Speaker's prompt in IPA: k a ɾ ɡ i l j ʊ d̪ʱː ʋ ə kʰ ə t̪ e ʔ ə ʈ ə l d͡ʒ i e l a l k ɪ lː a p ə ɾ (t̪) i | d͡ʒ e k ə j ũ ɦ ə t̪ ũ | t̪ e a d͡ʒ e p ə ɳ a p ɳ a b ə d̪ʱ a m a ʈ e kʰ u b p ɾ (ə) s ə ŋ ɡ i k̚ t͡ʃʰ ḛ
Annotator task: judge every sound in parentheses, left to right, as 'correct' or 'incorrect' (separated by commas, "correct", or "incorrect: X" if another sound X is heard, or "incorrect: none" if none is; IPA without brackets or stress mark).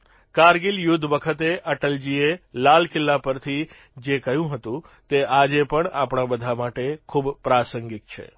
incorrect: t̪ʰ, incorrect: a